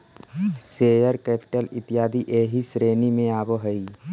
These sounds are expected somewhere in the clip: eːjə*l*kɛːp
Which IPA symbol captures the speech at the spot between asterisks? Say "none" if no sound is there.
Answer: ɾ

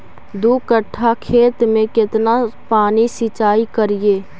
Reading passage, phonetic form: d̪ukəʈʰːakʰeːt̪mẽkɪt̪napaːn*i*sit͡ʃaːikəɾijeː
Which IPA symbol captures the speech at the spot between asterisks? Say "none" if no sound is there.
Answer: i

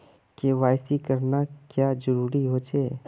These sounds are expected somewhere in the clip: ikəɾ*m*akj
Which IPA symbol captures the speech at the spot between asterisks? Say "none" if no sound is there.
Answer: n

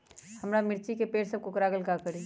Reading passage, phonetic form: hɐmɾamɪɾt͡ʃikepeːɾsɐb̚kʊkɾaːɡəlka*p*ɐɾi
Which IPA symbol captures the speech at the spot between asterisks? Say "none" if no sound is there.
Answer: k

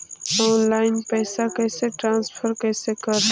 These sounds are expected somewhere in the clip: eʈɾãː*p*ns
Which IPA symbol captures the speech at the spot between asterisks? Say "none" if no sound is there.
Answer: none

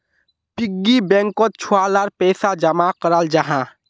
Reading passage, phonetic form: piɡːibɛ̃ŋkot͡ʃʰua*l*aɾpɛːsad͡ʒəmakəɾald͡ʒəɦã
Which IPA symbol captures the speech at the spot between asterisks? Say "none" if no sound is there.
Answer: l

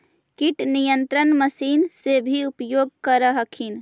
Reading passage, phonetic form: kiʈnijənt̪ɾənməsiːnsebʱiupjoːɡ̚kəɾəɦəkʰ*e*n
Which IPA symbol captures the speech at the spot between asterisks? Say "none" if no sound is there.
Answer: i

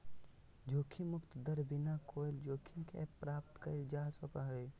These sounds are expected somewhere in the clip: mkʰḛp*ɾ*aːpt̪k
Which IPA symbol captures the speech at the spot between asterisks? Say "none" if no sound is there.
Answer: ɾ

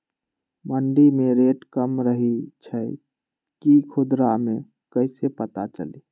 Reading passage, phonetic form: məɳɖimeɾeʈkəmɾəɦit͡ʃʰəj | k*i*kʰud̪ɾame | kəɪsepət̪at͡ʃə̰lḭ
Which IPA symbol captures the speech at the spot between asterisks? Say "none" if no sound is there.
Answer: i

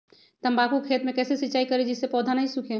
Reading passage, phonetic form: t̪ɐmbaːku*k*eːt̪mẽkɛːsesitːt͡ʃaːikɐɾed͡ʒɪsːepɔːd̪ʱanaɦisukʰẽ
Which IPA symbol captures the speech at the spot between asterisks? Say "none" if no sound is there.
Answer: kʰ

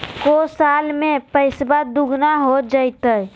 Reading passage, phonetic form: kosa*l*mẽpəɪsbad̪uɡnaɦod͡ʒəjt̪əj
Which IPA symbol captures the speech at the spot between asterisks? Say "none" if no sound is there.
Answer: l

